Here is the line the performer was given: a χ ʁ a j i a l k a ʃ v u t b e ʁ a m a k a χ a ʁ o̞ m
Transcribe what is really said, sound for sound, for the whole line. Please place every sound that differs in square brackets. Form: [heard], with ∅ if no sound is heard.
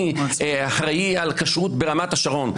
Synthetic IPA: a [ħ] ʁ a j i a l k a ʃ [ʁ] u t b e ʁ a m a [t] a [ʃ] a ʁ o̞ [n]